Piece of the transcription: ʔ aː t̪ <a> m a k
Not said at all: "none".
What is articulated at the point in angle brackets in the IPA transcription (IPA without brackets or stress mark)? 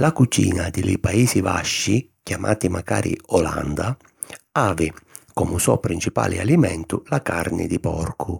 i